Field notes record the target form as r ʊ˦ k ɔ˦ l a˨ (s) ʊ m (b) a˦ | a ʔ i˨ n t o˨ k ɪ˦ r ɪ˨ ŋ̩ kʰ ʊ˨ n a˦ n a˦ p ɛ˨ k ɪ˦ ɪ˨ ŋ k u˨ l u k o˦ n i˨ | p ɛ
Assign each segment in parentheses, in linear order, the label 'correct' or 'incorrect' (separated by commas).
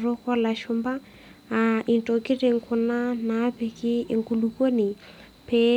incorrect, correct